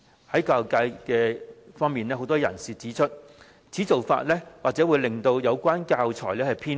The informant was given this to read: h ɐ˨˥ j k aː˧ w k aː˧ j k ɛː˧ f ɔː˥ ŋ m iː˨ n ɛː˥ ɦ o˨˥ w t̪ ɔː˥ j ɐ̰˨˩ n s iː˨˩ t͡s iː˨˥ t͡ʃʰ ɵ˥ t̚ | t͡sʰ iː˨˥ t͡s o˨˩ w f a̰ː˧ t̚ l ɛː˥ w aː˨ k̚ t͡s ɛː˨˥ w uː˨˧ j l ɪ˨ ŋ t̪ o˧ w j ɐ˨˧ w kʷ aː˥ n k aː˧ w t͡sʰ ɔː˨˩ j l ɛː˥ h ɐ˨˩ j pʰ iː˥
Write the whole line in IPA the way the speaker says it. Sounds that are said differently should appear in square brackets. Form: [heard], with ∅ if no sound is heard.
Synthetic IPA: h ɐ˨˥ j k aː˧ w k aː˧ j k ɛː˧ f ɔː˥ ŋ m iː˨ n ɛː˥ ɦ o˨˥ w t̪ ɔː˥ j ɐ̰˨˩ n s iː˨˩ t͡s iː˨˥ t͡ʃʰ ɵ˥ t̚ | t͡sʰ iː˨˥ t͡s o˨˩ w f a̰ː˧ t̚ l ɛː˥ w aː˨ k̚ t͡s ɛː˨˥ w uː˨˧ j l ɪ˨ ŋ t̪ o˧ w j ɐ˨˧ w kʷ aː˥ n k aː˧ w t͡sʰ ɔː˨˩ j l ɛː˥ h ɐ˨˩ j pʰ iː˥

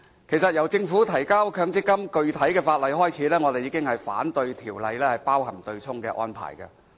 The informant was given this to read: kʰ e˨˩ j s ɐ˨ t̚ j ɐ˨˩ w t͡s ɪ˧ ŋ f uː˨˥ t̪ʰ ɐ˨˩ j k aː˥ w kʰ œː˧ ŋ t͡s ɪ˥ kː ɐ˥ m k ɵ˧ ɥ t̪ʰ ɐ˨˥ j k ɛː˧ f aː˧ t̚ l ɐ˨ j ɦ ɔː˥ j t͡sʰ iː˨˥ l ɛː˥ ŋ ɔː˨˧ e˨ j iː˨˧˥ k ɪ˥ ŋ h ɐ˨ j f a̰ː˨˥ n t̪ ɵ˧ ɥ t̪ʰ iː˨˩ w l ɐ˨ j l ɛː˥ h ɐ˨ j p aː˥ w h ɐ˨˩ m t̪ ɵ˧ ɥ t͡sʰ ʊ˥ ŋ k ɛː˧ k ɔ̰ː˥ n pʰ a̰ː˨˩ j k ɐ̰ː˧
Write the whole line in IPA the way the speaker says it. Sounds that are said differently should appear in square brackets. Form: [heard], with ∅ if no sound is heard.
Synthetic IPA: kʰ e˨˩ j s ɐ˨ t̚ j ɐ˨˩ w t͡s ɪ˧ ŋ f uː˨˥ t̪ʰ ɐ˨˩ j k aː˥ w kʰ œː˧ ŋ t͡s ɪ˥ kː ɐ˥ m k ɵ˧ ɥ t̪ʰ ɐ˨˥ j k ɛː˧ f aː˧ t̚ l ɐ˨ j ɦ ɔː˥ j t͡sʰ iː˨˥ l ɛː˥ ŋ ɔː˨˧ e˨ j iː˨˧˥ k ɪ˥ ŋ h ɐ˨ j f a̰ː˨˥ n t̪ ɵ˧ ɥ t̪ʰ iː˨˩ w l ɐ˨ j l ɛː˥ h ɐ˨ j p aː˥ w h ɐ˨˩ m t̪ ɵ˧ ɥ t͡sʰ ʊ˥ ŋ k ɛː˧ [ʔ] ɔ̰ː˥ n pʰ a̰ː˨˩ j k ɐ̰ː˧

